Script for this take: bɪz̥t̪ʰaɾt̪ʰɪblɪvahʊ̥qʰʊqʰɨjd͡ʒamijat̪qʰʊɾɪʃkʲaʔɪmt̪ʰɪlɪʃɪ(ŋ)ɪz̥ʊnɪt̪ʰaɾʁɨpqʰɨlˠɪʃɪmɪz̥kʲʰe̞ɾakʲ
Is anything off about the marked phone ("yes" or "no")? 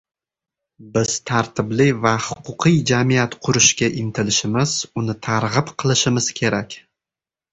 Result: yes